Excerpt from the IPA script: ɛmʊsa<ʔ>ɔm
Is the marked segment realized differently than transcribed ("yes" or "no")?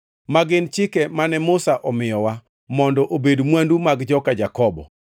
no